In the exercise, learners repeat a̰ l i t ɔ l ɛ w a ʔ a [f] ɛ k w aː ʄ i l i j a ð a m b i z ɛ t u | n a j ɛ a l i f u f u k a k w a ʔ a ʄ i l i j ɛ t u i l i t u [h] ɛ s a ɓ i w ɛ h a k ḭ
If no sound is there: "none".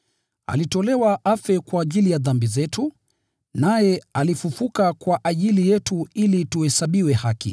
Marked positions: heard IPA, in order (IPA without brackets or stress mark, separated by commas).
f, h